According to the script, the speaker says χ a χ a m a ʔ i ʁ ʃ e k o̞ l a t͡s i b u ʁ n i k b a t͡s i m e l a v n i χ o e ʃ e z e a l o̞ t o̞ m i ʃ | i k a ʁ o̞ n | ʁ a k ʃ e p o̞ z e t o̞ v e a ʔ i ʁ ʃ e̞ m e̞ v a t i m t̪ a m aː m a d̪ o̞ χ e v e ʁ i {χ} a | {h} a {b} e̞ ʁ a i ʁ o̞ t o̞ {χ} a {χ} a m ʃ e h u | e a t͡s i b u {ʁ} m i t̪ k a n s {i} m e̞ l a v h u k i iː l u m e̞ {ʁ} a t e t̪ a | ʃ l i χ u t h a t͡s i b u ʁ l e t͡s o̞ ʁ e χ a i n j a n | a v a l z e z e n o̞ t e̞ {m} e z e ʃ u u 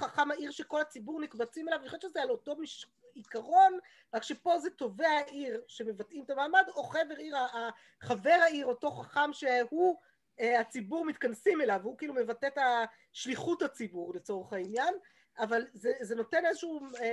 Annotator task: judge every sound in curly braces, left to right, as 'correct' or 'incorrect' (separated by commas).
incorrect, incorrect, incorrect, correct, correct, correct, correct, incorrect, incorrect